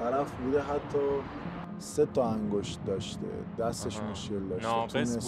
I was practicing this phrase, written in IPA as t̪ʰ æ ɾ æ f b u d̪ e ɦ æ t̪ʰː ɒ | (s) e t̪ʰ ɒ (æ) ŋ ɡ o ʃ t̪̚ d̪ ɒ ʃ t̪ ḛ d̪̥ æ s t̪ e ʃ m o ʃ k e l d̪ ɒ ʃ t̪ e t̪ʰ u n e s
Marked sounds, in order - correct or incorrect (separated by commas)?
correct, correct